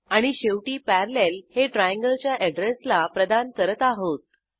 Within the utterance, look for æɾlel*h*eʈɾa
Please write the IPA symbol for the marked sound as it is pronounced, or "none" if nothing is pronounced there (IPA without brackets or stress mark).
h